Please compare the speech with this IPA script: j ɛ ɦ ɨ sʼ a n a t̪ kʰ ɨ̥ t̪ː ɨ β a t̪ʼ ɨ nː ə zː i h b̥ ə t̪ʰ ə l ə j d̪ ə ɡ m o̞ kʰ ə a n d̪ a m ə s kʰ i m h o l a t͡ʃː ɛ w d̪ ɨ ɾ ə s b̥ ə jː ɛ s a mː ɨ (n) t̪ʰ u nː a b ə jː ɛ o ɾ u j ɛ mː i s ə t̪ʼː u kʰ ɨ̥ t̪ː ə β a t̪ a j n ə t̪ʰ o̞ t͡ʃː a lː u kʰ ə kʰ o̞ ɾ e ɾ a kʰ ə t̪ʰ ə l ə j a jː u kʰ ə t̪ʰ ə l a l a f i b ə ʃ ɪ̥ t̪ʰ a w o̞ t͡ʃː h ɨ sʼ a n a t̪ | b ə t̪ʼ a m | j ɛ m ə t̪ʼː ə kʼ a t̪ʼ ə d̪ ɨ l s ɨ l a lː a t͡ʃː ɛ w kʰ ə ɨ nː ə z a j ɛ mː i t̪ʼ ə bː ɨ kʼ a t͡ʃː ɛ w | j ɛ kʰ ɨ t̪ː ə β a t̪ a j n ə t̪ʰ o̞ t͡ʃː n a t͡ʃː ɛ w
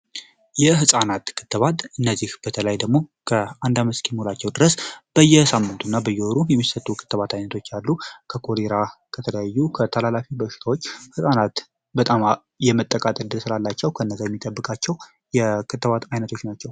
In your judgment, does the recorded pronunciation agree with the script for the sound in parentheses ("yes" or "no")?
yes